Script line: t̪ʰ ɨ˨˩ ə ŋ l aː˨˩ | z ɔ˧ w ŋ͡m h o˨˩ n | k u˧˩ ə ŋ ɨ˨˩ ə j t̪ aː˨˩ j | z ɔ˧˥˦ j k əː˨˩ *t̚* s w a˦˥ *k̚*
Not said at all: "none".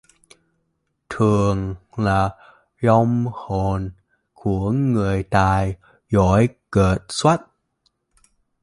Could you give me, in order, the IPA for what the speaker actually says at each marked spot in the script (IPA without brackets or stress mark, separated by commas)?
t̚, t̚